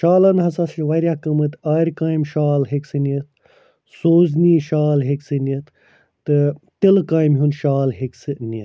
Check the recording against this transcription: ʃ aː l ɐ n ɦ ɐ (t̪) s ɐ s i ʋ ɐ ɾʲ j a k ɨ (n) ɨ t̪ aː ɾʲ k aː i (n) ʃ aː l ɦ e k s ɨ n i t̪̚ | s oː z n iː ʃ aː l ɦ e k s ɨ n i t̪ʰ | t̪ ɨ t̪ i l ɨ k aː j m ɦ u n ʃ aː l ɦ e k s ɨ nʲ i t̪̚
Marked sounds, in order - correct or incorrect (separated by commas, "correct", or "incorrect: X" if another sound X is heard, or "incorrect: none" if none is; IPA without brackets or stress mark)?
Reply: incorrect: none, incorrect: m, incorrect: m